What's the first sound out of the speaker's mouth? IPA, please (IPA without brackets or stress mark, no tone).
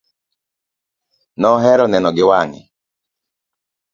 n